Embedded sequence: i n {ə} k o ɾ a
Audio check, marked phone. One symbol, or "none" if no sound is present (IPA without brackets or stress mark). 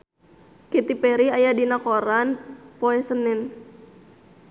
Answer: a